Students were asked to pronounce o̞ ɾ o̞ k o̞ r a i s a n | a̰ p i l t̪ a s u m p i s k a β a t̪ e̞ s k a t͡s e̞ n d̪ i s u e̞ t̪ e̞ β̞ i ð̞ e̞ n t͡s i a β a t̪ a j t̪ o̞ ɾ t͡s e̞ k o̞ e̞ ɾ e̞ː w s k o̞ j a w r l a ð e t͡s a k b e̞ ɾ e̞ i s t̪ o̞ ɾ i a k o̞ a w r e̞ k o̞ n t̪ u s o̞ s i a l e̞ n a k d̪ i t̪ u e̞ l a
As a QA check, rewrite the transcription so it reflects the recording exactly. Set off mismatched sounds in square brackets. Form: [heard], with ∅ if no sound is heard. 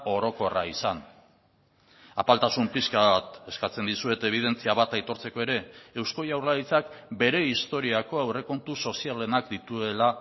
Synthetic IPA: o̞ ɾ o̞ k o̞ r a i s a n | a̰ p [a] l t̪ a s u m p i s k a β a t̪ e̞ s k a t͡s e̞ n d̪ i s u e̞ t̪ e̞ β̞ i ð̞ e̞ n t͡s i a β a t̪ a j t̪ o̞ ɾ t͡s e̞ k o̞ e̞ ɾ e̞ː w s k o̞ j a w r l a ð [i] t͡s a k b e̞ ɾ e̞ i s t̪ o̞ ɾ i a k o̞ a w r e̞ k o̞ n t̪ u s o̞ s i a l e̞ n a k d̪ i t̪ u e̞ l a